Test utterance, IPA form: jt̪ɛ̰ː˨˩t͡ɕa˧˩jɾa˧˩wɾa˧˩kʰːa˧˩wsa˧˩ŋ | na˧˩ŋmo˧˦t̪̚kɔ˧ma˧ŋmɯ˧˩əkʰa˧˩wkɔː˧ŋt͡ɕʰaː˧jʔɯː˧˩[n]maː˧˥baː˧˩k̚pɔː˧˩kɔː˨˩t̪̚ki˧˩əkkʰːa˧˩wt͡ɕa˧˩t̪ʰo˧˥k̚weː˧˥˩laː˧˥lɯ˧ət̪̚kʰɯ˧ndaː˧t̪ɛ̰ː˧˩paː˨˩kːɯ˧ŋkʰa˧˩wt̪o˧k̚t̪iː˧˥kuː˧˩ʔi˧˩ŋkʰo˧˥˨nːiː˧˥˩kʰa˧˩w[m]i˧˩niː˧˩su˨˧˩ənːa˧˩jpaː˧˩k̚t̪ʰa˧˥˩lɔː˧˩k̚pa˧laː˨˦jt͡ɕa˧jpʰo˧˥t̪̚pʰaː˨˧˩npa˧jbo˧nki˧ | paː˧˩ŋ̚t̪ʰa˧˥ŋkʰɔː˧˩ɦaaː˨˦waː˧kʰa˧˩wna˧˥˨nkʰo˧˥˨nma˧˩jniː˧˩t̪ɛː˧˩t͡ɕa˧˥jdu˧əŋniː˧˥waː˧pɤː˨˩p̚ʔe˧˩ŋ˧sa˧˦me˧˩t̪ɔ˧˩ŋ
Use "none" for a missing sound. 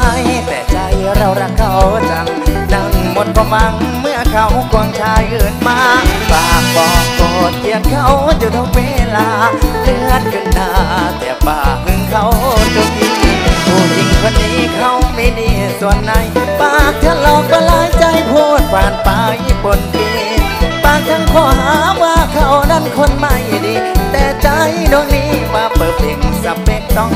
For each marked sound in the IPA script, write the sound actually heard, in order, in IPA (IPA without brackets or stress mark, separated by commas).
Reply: n, m